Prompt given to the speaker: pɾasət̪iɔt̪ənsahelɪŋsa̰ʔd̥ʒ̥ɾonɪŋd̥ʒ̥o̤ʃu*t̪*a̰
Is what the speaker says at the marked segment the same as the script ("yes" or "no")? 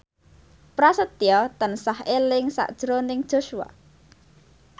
no